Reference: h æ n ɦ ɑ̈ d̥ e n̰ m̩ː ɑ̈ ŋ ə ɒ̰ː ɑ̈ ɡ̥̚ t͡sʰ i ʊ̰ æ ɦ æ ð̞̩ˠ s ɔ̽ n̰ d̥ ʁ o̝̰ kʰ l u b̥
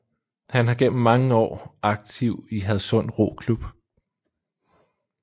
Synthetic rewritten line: h æ n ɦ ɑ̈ ɡ̥ e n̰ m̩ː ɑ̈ ŋ ə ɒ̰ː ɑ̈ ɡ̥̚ t͡sʰ i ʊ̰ i ɦ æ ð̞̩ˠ s ɔ̽ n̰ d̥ ʁ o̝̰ kʰ l u b̥